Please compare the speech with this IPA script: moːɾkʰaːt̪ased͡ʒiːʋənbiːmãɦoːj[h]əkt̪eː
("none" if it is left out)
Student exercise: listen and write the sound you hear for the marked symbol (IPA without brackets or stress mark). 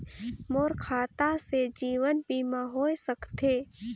s